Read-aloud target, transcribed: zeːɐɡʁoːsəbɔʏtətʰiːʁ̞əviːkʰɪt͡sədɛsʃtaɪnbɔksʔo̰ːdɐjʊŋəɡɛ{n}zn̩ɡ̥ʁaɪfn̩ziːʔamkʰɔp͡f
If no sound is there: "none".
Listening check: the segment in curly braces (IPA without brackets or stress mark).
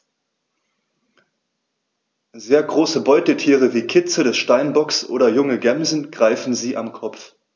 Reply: m